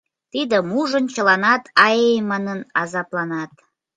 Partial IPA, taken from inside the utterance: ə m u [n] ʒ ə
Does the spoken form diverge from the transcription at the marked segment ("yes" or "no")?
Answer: yes